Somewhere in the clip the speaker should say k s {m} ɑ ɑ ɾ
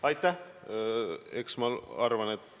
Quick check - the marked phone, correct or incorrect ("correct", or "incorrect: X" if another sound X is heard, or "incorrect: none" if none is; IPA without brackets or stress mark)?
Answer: correct